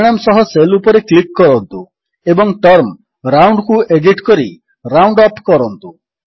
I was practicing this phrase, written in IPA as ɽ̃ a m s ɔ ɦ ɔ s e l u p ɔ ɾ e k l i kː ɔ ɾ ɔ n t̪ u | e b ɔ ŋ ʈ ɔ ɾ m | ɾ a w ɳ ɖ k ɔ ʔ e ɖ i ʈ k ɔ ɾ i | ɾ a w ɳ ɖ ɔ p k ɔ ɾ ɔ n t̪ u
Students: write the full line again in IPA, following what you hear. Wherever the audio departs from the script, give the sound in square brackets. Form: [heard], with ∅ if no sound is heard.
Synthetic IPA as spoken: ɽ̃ a m s ɔ ɦ ɔ s e l u p ɔ ɾ e k l i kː ɔ ɾ ɔ n t̪ u | e b ɔ ŋ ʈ ɔ ɾ m | ɾ a w ɳ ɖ k [u] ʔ e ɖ i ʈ k ɔ ɾ i | ɾ a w ɳ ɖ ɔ p k ɔ ɾ ɔ n t̪ u